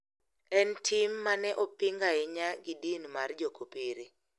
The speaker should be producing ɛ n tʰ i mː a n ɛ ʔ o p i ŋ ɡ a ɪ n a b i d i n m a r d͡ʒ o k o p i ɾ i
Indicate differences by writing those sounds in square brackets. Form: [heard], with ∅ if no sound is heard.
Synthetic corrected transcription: ɛ n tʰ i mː a n ɛ ʔ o p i ŋ ɡ a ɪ [ɲ] a [ɡ] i d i n m a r d͡ʒ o k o p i ɾ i